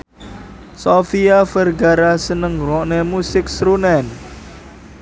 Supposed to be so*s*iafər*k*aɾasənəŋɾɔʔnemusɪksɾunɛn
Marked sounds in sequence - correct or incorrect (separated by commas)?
incorrect, incorrect